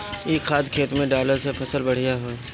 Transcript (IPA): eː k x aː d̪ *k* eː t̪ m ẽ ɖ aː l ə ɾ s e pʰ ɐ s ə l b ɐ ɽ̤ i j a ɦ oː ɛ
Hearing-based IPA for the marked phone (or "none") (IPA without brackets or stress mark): kʰ